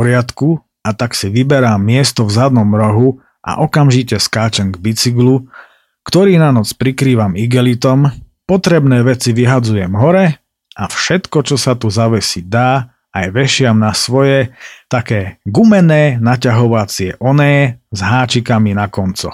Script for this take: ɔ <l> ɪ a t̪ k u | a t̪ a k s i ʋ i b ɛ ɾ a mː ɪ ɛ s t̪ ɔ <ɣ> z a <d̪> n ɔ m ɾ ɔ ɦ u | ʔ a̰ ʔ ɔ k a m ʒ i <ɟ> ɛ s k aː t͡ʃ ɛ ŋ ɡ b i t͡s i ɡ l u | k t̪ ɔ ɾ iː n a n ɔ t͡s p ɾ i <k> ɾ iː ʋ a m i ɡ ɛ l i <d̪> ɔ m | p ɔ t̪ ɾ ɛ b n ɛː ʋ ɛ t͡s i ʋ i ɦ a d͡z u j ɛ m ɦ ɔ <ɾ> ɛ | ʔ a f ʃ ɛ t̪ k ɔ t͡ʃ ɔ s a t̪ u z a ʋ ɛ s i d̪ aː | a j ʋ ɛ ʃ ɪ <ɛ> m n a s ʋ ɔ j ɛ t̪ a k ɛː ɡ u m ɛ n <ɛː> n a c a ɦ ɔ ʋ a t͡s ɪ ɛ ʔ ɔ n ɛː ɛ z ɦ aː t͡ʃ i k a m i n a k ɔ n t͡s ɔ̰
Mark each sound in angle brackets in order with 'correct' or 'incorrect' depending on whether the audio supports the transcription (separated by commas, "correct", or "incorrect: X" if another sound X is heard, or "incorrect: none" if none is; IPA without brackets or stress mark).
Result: incorrect: ɾ, incorrect: v, correct, incorrect: c, correct, incorrect: t̪, correct, incorrect: a, correct